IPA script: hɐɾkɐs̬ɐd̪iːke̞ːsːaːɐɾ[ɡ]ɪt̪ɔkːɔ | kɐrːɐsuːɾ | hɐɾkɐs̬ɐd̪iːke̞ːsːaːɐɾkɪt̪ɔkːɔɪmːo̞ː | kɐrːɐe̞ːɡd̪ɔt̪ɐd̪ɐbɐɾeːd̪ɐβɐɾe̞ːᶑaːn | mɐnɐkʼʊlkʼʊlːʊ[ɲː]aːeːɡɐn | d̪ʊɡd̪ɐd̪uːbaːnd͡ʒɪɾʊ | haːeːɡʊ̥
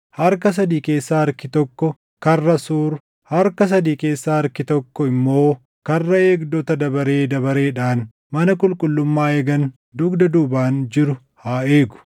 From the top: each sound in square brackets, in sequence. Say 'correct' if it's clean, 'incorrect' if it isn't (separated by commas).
incorrect, incorrect